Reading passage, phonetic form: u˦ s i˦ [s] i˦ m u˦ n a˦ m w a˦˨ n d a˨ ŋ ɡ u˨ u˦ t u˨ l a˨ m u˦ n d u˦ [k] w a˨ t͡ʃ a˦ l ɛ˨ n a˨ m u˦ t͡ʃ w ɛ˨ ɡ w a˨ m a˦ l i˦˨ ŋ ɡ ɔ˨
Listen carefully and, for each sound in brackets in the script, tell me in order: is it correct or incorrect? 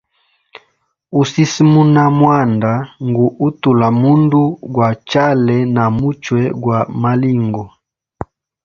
correct, incorrect: ɡ

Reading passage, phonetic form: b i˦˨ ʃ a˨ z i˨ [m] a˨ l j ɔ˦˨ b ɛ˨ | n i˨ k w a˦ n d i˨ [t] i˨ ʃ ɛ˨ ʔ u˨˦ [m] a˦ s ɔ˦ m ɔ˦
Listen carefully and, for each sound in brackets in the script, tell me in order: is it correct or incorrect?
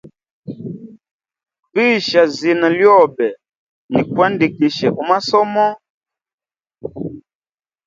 incorrect: n, incorrect: k, correct

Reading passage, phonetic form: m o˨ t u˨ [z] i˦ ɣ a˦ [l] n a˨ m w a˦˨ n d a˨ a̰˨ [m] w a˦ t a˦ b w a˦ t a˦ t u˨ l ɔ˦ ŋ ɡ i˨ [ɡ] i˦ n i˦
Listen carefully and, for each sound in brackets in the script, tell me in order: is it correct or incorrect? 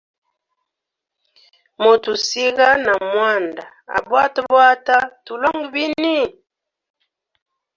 incorrect: s, incorrect: none, incorrect: b, incorrect: b

